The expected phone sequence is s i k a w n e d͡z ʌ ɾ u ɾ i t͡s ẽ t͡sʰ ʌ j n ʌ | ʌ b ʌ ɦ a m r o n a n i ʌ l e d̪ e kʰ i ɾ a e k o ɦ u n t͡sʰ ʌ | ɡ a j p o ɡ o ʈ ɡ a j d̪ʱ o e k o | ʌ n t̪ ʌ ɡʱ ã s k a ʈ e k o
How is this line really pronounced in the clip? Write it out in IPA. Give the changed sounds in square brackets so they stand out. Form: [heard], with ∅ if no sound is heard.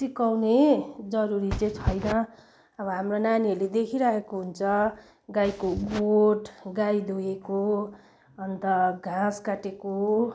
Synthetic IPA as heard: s i k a w n e d͡z ʌ ɾ u ɾ i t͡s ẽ t͡sʰ ʌ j n ʌ | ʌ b ʌ ɦ a m r o n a n i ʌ l e d̪ e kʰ i ɾ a e k o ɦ u n t͡sʰ ʌ | ɡ a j [k] o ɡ o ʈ ɡ a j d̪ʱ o e k o | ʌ n t̪ ʌ ɡʱ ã s k a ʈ e k o